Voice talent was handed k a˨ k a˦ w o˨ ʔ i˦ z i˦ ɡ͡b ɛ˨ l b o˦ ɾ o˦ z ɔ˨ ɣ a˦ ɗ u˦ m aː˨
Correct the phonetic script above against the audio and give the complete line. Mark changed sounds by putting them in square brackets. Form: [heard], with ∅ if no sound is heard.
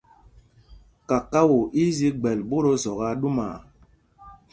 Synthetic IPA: k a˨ k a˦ w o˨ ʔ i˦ z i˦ ɡ͡b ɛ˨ l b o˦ ɾ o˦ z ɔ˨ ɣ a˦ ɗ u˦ m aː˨